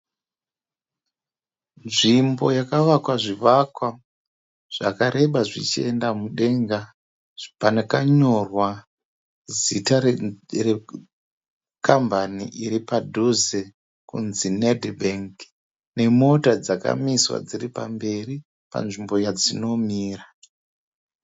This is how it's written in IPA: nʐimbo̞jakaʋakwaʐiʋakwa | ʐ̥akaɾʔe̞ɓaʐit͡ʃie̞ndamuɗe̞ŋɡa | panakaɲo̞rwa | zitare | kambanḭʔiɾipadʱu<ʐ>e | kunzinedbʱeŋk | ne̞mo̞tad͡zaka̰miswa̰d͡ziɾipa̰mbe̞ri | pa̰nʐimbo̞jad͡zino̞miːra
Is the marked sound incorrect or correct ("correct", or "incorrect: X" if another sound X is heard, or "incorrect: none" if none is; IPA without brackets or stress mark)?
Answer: incorrect: z